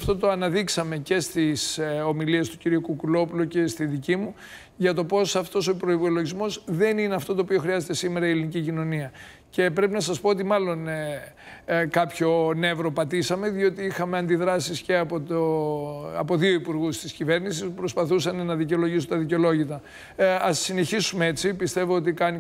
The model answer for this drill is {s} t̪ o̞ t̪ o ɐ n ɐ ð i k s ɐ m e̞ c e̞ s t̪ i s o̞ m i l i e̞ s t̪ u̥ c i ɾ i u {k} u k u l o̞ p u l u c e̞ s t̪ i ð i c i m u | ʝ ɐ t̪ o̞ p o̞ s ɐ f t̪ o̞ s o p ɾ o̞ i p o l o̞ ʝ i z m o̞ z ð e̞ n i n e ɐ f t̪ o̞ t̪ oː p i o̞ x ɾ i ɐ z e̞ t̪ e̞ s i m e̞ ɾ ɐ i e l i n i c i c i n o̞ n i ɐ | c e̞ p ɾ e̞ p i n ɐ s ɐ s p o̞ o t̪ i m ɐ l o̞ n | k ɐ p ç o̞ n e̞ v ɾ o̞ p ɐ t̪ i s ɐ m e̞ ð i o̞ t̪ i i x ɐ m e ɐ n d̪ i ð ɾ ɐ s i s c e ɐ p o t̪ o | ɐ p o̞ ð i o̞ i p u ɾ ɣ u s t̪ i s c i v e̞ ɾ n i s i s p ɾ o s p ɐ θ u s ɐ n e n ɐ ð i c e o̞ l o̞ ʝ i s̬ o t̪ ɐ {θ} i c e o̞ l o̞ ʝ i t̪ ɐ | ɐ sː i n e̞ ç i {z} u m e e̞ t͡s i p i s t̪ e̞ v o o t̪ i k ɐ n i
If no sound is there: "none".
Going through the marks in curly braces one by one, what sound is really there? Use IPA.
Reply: f, k, ð, s

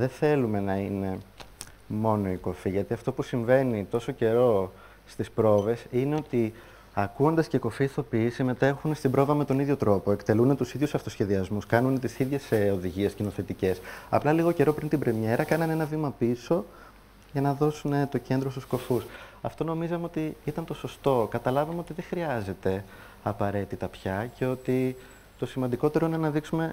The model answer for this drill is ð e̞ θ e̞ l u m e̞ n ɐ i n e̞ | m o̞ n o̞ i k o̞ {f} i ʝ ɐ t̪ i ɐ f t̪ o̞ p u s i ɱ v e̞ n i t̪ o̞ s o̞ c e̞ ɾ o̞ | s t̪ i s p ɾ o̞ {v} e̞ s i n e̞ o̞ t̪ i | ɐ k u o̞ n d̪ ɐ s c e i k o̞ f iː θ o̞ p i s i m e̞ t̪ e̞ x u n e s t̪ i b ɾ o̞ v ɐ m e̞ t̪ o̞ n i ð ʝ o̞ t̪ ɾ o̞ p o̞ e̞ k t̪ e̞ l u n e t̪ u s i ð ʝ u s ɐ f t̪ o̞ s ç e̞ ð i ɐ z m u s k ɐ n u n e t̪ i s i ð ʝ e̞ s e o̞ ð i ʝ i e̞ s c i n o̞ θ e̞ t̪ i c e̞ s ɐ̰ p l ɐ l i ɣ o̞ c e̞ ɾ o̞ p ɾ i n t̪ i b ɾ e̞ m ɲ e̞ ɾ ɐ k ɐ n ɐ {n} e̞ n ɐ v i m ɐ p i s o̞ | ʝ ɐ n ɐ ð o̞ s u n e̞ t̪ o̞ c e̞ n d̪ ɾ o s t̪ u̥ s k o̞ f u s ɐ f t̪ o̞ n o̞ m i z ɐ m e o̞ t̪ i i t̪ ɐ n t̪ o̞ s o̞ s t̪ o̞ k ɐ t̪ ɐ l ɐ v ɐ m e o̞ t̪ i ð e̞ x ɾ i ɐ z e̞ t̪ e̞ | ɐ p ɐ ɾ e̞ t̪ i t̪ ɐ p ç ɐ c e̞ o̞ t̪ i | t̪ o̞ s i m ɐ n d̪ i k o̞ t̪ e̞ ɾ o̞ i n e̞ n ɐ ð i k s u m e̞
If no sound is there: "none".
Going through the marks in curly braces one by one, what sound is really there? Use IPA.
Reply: f, v, n

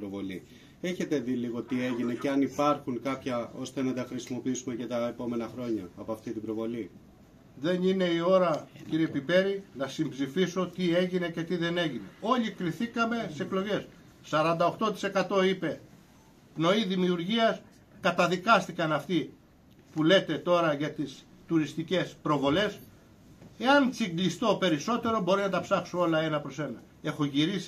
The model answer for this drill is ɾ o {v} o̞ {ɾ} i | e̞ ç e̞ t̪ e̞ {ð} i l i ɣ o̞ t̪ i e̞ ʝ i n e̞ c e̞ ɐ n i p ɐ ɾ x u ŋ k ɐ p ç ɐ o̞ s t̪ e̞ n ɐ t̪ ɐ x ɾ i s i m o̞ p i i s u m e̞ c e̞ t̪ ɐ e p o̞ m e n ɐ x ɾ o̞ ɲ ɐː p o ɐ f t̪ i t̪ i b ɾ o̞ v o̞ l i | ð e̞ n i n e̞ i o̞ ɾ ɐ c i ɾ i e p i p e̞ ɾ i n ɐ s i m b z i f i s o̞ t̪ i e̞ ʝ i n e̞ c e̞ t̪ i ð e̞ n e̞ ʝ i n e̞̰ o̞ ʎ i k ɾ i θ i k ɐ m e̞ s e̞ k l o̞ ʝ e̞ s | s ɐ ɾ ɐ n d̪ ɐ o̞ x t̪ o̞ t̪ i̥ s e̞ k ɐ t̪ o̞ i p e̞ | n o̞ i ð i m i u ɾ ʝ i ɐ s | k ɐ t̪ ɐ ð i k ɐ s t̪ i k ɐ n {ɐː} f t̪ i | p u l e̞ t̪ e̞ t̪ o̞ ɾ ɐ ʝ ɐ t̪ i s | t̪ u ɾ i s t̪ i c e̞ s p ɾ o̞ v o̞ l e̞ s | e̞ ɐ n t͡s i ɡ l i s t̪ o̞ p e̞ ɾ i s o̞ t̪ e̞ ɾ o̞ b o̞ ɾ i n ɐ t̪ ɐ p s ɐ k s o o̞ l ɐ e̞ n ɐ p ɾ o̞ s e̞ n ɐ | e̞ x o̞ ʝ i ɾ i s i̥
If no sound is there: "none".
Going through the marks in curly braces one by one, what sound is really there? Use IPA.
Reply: v, l, ð, ɐ

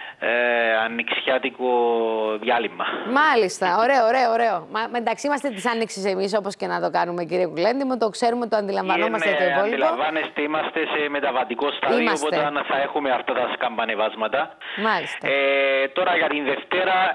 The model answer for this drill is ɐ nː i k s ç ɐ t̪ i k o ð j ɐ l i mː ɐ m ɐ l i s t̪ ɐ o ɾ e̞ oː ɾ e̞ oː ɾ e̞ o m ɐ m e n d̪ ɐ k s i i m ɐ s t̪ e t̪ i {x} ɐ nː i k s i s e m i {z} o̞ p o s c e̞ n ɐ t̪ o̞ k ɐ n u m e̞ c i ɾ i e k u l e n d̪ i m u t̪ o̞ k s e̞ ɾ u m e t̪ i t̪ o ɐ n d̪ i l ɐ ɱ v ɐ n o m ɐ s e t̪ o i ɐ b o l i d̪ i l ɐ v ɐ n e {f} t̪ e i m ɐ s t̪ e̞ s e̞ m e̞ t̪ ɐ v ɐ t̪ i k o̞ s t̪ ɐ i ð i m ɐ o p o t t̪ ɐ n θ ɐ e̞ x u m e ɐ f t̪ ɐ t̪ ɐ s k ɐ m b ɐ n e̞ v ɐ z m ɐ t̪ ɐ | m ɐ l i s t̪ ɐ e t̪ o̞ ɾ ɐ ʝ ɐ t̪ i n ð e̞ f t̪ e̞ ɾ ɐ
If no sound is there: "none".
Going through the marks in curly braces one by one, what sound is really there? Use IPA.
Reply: s, s, s

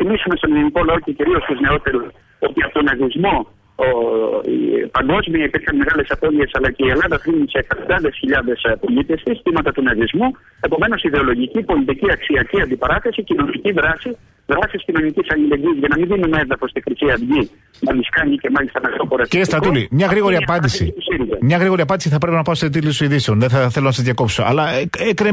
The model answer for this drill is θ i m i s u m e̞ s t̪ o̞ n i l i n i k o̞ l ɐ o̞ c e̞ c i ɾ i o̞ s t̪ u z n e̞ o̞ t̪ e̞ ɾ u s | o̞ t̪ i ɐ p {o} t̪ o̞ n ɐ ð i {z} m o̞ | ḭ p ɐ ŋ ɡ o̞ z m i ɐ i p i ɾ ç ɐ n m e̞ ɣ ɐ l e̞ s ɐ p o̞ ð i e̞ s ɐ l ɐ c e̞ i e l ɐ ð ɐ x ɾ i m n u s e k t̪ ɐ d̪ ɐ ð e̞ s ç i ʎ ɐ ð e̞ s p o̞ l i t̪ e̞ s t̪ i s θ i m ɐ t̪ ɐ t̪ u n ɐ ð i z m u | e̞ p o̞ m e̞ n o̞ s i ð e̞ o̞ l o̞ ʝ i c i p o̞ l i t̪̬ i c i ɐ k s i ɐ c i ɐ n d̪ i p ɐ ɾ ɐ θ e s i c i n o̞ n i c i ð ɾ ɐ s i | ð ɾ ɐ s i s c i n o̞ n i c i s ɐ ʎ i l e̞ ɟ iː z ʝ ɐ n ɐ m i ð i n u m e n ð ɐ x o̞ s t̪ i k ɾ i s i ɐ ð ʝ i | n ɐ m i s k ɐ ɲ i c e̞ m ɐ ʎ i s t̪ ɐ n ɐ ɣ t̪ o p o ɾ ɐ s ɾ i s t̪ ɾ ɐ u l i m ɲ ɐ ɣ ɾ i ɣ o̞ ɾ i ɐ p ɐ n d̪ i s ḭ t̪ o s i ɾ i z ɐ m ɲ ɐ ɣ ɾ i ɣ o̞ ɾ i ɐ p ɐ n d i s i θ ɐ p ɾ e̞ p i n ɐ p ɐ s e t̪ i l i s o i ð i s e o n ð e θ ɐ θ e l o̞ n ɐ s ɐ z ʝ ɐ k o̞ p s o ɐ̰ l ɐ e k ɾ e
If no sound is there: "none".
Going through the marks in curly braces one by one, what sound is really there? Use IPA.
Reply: o, z

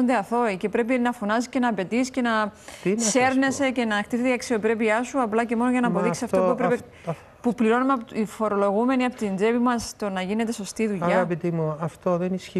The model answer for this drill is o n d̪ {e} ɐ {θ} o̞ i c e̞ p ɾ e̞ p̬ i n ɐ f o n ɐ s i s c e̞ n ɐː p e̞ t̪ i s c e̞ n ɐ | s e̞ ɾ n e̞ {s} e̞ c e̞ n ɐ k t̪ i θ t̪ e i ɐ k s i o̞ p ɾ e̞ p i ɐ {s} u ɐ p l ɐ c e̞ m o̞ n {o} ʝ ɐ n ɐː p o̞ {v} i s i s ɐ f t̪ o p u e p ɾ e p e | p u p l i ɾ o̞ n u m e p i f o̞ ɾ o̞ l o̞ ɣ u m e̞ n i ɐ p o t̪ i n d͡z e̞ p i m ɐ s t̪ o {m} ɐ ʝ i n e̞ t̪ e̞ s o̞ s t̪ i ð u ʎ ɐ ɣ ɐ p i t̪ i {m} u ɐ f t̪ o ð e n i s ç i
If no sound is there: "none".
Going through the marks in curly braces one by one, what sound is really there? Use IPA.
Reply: e, θ, s, s, o, ð, n, m

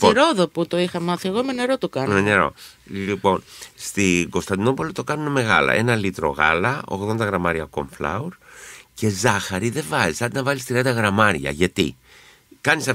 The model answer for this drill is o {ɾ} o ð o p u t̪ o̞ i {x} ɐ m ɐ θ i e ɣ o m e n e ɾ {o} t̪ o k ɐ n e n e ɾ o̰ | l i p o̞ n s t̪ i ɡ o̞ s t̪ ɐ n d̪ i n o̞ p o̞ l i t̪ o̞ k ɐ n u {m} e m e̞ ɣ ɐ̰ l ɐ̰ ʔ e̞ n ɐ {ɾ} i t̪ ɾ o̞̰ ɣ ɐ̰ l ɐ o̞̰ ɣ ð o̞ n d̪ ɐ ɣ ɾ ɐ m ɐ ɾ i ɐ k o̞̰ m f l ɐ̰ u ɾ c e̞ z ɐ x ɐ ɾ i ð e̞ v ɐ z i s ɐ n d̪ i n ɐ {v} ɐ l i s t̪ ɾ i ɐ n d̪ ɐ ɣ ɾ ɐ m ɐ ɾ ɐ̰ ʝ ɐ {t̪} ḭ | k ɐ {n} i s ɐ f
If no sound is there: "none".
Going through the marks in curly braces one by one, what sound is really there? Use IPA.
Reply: ɾ, x, o, n, l, v, t̪, n

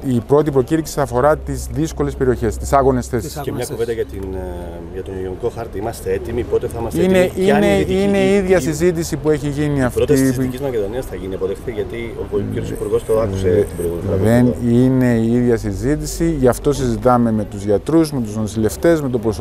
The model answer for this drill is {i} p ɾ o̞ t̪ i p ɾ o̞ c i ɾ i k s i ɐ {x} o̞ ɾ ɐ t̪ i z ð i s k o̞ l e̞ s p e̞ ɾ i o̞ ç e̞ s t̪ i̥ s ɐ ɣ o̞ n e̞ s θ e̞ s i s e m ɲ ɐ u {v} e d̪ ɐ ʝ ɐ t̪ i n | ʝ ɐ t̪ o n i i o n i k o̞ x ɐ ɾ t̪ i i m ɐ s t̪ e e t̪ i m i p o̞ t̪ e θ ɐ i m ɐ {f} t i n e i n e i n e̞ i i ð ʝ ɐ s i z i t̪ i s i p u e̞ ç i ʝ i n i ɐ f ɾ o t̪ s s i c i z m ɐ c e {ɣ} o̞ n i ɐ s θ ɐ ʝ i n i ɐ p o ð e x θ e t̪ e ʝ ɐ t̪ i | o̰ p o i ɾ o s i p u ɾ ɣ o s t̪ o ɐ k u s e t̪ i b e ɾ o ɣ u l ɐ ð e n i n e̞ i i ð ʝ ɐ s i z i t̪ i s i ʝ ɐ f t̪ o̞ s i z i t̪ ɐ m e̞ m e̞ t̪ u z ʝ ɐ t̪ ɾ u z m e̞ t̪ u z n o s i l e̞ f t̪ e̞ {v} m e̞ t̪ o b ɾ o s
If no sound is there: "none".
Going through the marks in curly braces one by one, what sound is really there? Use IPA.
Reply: i, f, v, s, ð, z

